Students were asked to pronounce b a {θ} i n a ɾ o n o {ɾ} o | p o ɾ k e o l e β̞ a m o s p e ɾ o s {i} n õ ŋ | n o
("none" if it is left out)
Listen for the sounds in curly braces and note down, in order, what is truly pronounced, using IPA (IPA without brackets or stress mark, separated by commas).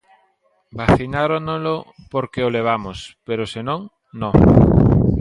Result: θ, l, e